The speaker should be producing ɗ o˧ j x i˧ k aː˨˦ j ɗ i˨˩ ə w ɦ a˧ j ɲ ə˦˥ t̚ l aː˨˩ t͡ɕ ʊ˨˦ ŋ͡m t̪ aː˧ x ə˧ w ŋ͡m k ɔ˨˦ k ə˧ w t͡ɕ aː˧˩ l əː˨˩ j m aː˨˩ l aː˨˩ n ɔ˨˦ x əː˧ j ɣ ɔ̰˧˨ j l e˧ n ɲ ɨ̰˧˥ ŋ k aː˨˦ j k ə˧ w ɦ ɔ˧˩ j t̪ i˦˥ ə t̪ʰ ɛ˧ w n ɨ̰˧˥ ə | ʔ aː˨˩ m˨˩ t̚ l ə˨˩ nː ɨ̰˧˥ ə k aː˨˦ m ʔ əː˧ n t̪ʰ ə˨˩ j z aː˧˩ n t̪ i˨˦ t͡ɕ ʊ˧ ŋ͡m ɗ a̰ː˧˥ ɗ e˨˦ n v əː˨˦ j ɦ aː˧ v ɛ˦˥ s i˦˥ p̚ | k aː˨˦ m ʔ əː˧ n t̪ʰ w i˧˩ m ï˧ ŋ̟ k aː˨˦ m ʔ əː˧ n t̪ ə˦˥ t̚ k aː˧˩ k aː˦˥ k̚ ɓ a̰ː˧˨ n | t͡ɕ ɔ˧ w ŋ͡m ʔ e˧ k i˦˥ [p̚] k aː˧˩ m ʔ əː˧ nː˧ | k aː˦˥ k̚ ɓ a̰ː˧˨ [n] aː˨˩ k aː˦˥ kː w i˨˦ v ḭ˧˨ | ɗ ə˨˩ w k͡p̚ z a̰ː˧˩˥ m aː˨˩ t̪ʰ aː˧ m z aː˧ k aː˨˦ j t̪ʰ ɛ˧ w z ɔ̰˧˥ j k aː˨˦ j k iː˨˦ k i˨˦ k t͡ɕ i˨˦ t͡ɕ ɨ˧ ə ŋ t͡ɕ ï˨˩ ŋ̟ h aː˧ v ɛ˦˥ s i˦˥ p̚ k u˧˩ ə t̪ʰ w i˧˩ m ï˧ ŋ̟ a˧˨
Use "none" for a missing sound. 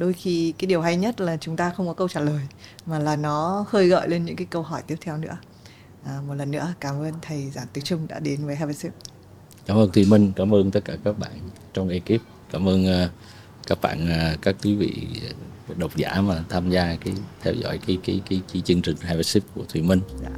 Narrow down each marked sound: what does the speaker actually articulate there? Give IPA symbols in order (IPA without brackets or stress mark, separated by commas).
p̚, n